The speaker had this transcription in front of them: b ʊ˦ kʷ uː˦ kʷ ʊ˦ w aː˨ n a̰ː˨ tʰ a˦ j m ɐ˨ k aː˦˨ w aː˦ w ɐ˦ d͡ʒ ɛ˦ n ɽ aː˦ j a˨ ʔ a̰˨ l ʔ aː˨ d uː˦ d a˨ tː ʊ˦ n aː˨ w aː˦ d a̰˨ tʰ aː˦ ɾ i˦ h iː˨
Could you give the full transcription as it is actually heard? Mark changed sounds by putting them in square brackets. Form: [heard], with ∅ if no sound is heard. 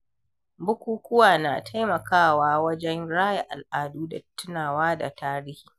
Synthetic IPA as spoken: b ʊ˦ kʷ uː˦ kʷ ʊ˦ w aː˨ n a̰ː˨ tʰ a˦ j m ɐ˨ k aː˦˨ w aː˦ w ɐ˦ d͡ʒ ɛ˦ n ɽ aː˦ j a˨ ʔ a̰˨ l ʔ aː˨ d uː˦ d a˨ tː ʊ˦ n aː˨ w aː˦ d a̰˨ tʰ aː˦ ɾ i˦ h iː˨

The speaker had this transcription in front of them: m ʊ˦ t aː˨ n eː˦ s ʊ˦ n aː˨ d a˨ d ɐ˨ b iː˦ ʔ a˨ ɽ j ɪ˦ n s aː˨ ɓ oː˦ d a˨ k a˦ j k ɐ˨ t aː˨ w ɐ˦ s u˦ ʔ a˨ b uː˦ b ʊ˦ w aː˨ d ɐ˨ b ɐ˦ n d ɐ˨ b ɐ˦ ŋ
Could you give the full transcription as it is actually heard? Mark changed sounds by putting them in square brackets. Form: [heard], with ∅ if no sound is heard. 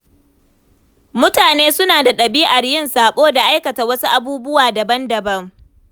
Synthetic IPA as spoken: m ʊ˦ t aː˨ n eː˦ s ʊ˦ n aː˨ d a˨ [ɗ] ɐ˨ b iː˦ ʔ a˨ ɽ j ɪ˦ n s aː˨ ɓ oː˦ d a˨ [ʔ] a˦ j k ɐ˨ t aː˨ w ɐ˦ s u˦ ʔ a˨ b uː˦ b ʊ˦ w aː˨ d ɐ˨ b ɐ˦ n d ɐ˨ b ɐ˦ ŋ

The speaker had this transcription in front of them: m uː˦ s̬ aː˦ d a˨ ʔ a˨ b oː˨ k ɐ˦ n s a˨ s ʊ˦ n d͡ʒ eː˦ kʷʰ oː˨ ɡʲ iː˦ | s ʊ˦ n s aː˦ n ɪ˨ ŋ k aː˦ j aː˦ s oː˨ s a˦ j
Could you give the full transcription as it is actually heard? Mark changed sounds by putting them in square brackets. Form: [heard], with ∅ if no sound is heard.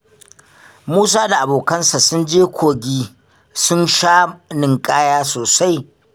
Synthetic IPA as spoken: m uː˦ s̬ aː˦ d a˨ ʔ a˨ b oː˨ k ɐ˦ n s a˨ s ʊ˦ n d͡ʒ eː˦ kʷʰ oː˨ ɡʲ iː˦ | s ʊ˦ n [ʃ] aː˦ n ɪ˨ ŋ [kʼ] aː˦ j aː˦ s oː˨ s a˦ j

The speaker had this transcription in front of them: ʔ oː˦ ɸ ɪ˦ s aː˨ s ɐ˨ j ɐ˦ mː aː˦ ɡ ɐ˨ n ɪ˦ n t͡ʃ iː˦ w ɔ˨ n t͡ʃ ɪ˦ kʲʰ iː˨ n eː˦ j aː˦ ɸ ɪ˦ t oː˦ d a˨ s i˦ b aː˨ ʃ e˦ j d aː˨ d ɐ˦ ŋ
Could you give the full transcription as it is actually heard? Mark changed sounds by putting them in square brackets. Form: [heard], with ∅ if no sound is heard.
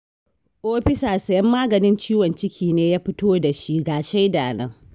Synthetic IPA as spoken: ʔ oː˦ ɸ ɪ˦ s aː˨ s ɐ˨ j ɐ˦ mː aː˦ ɡ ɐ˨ n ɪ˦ n t͡ʃ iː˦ w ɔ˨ n t͡ʃ ɪ˦ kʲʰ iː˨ n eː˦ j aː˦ ɸ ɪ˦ t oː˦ d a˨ [ʃ] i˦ [ɡ] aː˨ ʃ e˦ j d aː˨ [n] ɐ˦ ŋ

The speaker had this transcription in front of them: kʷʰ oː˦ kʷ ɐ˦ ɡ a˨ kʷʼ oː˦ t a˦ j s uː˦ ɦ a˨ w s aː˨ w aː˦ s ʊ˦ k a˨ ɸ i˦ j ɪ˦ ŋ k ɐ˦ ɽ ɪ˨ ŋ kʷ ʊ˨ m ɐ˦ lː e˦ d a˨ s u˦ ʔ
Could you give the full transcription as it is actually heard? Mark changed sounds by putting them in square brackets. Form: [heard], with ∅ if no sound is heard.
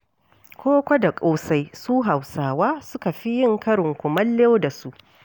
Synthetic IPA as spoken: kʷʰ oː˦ kʷ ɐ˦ [d] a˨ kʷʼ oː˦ [s] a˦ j s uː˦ ɦ a˨ w s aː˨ w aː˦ s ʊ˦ k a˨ ɸ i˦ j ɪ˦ ŋ k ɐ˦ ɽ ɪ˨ ŋ kʷ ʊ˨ m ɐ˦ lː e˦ d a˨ s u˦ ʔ

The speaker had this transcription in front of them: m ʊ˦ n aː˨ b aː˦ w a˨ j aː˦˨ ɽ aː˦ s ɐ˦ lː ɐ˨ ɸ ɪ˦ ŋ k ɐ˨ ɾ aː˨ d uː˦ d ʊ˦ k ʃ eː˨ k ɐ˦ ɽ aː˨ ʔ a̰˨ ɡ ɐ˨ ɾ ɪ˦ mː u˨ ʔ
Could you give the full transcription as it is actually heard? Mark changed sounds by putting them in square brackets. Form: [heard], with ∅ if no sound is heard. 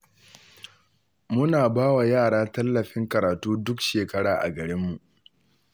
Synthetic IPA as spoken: m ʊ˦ n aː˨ b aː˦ w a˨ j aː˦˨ ɽ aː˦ [t] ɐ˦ lː ɐ˨ ɸ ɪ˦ ŋ k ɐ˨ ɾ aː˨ [t] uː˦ d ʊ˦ k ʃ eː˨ k ɐ˦ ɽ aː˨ ʔ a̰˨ ɡ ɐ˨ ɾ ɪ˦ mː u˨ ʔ

